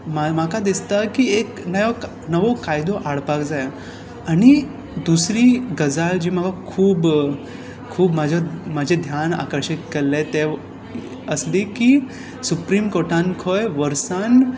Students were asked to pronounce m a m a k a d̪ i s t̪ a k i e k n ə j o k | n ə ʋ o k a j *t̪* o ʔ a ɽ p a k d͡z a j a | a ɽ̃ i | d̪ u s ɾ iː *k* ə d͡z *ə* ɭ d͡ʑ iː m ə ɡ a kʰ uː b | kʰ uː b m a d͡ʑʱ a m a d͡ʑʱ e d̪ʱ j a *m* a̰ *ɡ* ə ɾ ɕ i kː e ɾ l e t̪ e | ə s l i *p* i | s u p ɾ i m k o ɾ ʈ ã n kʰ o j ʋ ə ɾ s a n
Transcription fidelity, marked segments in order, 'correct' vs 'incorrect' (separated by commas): incorrect, incorrect, incorrect, incorrect, incorrect, incorrect